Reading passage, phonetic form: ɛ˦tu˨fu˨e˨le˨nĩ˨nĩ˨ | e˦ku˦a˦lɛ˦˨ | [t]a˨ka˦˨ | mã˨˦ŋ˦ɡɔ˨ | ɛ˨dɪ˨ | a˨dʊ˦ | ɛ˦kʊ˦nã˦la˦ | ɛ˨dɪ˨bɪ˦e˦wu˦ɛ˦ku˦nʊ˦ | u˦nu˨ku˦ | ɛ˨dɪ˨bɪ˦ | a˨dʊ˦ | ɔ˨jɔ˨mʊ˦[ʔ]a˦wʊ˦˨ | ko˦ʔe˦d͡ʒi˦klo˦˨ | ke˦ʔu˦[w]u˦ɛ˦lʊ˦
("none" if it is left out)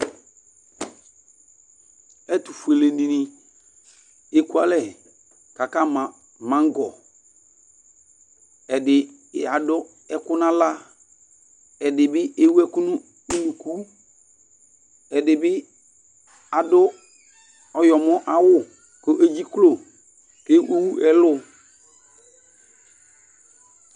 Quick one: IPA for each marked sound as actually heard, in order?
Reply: k, ʔ, w

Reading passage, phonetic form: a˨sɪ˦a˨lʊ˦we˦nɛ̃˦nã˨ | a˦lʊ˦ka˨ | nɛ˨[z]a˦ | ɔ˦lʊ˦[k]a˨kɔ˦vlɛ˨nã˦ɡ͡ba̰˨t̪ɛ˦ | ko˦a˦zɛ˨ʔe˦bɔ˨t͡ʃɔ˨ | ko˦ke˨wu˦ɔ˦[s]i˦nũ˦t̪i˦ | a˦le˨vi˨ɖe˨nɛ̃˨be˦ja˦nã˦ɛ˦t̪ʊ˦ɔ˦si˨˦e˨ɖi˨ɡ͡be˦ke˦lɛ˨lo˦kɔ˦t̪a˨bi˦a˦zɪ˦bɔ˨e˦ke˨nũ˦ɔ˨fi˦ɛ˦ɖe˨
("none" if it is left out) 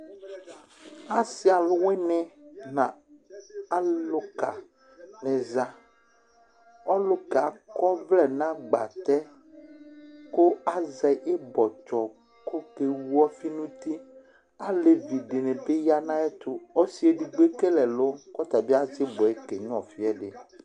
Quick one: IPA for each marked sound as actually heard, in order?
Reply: z, k, f

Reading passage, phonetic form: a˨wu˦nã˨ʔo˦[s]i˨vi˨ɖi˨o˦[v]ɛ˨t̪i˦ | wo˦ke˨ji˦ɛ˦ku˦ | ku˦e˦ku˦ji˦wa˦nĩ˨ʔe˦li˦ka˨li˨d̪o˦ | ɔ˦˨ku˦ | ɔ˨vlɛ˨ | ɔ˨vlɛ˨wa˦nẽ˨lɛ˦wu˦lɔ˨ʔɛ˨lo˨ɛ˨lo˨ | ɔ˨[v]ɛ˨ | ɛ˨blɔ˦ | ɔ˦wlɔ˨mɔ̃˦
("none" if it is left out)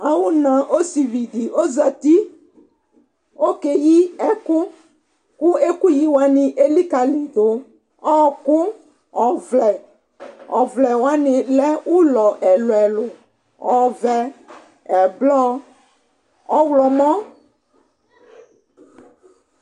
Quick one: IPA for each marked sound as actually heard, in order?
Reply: s, z, v

